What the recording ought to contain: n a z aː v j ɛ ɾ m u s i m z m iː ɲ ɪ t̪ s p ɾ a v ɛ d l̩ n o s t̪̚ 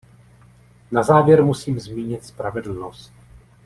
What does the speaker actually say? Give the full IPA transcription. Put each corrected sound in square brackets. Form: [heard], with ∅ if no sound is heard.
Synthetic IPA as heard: n a z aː v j ɛ ɾ m u s [iː] m z m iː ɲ ɪ t̪ s p ɾ a v ɛ d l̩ n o s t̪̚